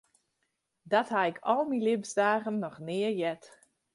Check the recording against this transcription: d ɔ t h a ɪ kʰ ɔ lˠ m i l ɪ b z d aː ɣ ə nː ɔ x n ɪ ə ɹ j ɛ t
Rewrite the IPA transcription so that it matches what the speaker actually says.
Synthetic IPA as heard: d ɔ t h a ɪ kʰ ɔ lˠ m i l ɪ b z d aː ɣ ə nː ɔ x n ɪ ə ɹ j ɛ t

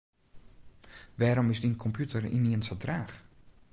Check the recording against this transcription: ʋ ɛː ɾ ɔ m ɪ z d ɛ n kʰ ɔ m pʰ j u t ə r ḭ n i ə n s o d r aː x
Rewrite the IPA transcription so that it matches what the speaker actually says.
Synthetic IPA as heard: ʋ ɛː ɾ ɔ m ɪ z d i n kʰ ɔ m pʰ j u t ə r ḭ n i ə n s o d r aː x

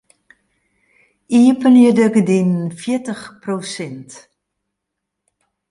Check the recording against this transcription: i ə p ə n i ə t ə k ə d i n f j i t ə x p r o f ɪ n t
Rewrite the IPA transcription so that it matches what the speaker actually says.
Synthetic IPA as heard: i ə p ə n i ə d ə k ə d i n f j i t ə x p r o s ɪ n t

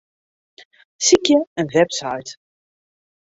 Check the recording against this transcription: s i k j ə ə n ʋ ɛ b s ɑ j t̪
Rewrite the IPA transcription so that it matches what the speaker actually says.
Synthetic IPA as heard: s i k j ə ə n v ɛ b s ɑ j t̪

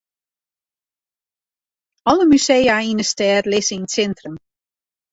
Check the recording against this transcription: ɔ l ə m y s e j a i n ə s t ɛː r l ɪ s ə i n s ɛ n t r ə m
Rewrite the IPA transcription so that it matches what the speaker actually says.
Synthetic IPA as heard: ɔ l ə m y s e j a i n ə s t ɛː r l ɪ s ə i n s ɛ n t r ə m

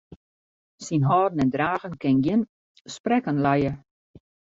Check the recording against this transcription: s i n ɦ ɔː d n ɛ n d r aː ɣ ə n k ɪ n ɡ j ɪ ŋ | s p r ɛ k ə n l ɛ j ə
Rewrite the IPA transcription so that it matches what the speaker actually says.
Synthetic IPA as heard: s i n ɦ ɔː d n ɛ n d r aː ɣ ə n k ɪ n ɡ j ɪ n | s p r ɛ k ə n l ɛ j ə

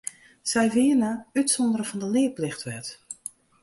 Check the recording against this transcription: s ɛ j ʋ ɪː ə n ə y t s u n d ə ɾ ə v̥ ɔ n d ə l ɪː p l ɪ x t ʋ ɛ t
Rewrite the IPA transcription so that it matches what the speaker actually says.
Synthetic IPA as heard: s ɛ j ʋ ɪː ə n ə y t s ɔ n d ə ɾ ə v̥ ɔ n d ə l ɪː p l ɪ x t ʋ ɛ t

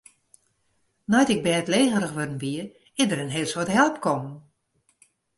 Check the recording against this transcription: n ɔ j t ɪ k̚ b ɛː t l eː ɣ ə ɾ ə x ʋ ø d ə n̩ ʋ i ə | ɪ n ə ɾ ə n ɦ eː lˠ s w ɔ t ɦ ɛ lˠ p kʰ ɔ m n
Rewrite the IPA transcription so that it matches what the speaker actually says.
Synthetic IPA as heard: n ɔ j t ɪ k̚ b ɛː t l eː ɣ ə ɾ ə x ʋ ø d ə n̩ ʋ i ə | ɪ d ə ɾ ə n ɦ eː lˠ s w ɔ t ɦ ɛ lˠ p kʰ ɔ m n

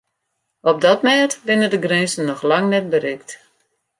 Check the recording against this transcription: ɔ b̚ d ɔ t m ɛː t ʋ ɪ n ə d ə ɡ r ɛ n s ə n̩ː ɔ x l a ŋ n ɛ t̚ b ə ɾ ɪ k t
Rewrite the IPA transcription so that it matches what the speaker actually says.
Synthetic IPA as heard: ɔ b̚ d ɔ t m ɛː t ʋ ɪ n ə d ə ɡ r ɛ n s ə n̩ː ɔ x l a ŋ n ɛ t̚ b ə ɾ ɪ k t

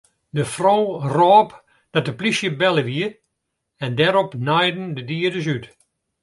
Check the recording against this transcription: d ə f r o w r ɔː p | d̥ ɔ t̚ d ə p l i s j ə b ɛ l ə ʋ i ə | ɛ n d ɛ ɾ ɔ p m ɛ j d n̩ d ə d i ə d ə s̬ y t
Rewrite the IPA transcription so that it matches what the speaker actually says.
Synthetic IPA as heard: d ə f r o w r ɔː p | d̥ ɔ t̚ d ə p l i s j ə b ɛ l ə ʋ i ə | ɛ n d ɛ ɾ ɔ p n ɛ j d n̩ d ə d i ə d ə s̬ y t

